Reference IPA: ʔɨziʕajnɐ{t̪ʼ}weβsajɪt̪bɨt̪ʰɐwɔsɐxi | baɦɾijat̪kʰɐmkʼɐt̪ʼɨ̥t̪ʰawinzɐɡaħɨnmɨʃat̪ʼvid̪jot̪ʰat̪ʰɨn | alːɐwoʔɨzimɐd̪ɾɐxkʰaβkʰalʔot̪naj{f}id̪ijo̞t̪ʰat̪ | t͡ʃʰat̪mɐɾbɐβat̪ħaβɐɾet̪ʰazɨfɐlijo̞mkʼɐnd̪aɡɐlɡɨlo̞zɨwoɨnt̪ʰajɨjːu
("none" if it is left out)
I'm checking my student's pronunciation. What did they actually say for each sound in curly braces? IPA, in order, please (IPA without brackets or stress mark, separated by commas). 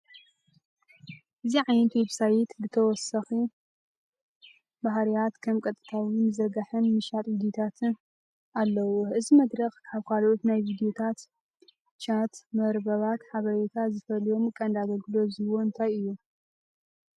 t̪, v